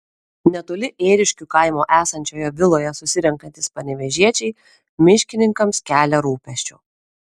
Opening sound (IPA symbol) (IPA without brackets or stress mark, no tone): nʲ